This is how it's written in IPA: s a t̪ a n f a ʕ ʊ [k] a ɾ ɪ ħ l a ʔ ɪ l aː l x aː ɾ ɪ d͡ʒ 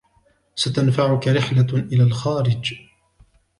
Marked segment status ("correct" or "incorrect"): correct